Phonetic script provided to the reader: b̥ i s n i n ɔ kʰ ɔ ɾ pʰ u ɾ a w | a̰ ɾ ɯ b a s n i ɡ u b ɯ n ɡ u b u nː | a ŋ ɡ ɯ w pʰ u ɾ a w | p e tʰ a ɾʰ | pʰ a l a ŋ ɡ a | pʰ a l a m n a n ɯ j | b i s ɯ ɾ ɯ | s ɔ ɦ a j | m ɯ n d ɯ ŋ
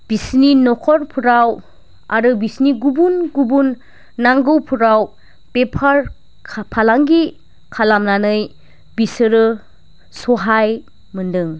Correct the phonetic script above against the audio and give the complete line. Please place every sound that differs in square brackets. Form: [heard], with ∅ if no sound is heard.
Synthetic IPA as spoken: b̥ i s n i n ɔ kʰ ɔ ɾ pʰ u ɾ a w | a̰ ɾ ɯ b [i] s n i ɡ u b [u] n ɡ u b u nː | a ŋ ɡ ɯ w pʰ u ɾ a w | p e [pʰ] a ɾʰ | pʰ a l a ŋ ɡ [i] | [kʰ] a l a m n a n ɯ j | b i s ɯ ɾ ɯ | s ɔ ɦ a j | m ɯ n d ɯ ŋ